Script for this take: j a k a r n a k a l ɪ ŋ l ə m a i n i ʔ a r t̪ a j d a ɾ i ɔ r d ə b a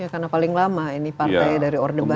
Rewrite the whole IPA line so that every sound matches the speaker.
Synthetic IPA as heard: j a k a r n a p a l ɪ ŋ l a m a i n i p a r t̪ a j d a ɾ i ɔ r d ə b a

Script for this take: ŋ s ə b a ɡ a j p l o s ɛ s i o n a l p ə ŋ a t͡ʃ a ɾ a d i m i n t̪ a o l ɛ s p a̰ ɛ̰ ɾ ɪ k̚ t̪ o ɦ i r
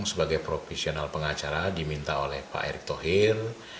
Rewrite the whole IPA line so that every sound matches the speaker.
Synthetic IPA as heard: ŋ s ə b a ɡ a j p ɾ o f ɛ s i o n a l p ə ŋ a t͡ʃ a ɾ a d i m i n t̪ a o l ɛ h p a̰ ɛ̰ ɾ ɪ k̚ t̪ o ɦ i r

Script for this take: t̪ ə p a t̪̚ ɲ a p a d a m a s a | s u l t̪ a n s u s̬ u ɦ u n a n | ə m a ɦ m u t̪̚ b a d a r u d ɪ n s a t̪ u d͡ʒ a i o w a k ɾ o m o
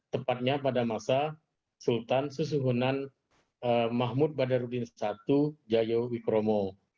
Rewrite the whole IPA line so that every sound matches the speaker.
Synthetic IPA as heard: t̪ ə p a t̪̚ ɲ a p a d a m a s a | s u l t̪ a n s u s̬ u ɦ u n a n | ə m a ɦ m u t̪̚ b a d a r u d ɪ n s a t̪ u d͡ʒ a j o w i k ɾ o m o

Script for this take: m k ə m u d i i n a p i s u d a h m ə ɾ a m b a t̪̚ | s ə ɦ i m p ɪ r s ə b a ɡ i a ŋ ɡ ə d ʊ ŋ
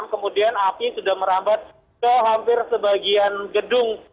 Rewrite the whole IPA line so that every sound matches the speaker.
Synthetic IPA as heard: m k ə m u d i a n a p i s u d a h m ə ɾ a m b a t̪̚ | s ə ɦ a m p ɪ r s ə b a ɡ i a n ɡ ə d ʊ ŋ

